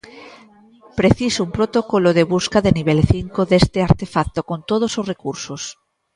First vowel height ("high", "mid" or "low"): mid